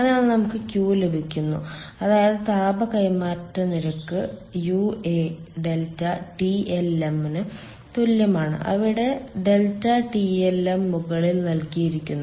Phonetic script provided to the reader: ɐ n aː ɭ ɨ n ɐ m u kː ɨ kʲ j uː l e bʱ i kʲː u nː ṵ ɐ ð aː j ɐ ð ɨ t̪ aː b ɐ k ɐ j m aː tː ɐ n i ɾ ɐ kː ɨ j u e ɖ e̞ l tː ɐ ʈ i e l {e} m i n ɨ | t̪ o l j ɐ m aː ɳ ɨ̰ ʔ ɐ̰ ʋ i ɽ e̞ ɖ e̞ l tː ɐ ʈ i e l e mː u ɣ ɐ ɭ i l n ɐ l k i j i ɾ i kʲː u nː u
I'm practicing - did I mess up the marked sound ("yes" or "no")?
no